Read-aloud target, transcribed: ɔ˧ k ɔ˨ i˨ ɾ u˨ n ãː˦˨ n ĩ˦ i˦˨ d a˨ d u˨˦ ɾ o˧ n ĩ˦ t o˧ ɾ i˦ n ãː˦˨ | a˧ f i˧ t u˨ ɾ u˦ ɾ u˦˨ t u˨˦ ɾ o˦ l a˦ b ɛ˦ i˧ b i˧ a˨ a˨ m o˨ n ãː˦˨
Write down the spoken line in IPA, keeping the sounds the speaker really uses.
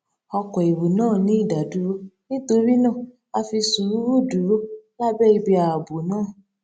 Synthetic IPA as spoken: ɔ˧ k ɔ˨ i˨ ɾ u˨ n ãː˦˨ n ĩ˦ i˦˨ d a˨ d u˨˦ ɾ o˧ n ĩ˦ t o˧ ɾ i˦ n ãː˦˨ | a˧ f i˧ s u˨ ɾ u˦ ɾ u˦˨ d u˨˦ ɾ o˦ l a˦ b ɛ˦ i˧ b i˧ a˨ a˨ b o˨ n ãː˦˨